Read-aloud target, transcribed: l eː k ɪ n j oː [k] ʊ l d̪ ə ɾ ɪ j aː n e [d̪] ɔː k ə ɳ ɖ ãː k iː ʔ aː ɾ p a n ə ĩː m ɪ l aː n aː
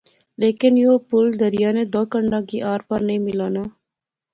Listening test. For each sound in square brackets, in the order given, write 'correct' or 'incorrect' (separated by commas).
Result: incorrect, correct